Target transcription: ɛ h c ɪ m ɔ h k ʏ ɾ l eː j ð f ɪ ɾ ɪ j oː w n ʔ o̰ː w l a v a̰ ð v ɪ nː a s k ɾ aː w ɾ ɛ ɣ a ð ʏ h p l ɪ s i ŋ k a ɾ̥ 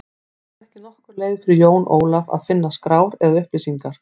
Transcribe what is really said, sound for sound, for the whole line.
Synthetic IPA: ɛ h c ɪ n ɔ h k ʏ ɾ l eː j ð f ɪ ɾ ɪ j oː w n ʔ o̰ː w l a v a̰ ð f ɪ nː a s k ɾ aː w ɾ ɛ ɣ a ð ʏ h p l ɪ s i ŋ k a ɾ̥